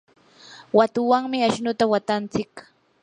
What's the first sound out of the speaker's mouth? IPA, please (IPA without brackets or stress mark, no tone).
w